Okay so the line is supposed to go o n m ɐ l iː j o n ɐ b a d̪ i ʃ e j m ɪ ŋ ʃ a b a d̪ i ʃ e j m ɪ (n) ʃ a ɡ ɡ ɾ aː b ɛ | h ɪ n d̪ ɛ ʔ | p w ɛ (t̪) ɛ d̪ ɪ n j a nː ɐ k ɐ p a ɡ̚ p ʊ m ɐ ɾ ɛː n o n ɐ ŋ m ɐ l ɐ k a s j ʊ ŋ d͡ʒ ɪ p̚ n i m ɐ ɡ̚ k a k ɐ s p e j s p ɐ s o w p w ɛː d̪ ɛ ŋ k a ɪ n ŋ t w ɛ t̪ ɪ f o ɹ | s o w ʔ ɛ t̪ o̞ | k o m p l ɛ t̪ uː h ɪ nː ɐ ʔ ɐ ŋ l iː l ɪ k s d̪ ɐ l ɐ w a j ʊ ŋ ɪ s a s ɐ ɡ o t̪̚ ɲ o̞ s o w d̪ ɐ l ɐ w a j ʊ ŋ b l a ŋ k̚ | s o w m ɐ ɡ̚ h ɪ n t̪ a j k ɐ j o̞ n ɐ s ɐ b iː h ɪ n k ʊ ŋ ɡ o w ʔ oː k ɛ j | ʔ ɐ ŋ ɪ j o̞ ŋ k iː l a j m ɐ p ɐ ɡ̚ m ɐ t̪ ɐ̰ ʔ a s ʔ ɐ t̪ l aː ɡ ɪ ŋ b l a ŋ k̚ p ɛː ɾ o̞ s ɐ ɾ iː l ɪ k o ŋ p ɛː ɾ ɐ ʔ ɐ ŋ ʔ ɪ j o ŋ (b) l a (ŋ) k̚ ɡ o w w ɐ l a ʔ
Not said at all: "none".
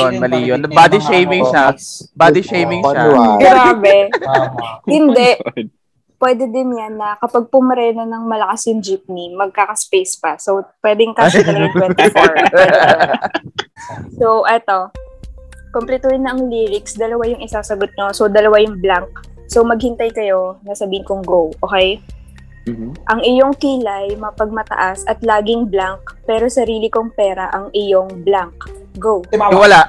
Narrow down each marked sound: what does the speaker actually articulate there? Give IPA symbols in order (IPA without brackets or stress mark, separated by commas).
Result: ŋ, d̪, b, ŋ